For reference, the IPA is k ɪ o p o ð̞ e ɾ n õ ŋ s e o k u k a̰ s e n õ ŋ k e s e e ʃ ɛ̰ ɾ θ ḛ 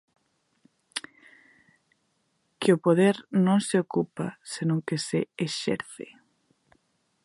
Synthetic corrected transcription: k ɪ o p o ð̞ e ɾ n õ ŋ s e o k u p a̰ s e n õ ŋ k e s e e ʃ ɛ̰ ɾ θ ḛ